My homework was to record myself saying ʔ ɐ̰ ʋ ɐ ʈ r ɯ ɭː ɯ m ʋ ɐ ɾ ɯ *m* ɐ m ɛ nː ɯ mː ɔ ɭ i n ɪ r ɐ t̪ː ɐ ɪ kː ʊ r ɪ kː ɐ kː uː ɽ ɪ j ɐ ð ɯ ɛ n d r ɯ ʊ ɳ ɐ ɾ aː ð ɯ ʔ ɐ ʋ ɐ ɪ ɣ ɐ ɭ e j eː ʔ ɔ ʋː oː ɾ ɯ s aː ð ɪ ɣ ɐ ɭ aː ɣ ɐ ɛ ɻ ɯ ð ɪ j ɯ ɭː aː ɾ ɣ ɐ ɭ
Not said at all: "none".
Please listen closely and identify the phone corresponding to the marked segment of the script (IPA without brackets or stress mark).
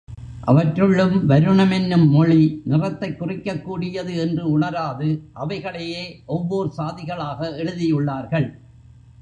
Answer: ɳ